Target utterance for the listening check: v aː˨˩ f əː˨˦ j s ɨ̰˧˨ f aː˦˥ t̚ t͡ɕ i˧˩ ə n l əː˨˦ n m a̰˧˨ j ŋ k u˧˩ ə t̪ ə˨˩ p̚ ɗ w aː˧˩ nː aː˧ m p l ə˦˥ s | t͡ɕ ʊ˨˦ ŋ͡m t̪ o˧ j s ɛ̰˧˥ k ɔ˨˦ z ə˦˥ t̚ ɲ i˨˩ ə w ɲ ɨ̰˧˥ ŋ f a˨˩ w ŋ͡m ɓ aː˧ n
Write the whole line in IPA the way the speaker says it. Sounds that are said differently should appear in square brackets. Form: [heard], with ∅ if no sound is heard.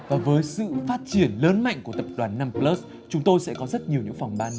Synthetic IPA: v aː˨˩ [v] əː˨˦ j s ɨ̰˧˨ f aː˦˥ t̚ t͡ɕ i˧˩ ə n l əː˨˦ n m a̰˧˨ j ŋ k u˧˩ ə t̪ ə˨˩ p̚ ɗ w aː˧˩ nː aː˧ m p l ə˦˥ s | t͡ɕ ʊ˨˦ ŋ͡m t̪ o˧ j s ɛ̰˧˥ k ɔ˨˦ z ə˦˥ t̚ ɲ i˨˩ ə w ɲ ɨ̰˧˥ ŋ f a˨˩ w ŋ͡m ɓ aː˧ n